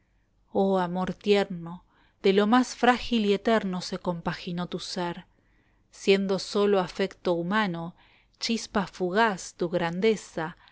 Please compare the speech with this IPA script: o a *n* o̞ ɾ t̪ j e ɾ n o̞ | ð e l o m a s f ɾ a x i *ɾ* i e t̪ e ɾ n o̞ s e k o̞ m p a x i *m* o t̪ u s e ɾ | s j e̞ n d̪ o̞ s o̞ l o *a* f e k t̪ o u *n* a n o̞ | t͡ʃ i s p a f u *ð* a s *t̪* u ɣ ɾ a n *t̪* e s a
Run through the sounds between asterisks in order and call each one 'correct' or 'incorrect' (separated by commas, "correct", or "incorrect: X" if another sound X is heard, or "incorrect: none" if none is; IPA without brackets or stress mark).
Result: incorrect: m, incorrect: l, incorrect: n, correct, incorrect: m, incorrect: ɣ, correct, incorrect: d̪